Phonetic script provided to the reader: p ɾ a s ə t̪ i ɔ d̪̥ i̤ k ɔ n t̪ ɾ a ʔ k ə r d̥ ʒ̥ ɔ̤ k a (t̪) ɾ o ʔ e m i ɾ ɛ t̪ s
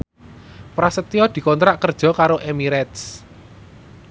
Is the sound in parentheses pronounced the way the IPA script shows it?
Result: no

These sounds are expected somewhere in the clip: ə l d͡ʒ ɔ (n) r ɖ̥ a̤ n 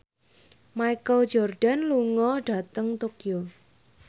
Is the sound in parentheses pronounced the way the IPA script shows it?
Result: no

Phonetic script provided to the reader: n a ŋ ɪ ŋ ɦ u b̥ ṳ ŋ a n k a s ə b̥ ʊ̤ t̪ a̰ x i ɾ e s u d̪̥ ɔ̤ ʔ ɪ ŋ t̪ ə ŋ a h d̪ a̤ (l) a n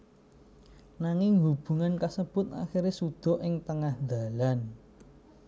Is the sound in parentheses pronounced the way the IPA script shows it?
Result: yes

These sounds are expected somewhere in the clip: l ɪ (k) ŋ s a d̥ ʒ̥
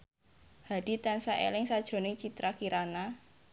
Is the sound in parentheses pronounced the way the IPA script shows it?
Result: no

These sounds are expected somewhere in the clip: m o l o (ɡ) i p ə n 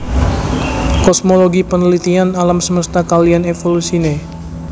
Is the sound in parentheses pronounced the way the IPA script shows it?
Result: yes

